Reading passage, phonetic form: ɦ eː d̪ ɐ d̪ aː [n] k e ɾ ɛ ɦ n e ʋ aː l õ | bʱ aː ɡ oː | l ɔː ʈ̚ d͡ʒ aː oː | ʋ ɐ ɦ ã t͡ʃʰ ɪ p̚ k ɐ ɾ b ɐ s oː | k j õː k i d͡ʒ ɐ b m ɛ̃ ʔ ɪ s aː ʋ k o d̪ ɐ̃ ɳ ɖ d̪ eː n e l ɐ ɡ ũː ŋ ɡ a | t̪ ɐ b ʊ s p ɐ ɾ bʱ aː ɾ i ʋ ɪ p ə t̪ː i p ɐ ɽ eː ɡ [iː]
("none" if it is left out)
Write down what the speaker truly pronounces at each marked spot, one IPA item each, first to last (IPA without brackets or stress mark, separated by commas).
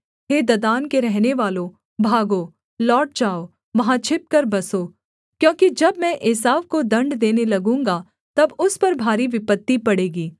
n, iː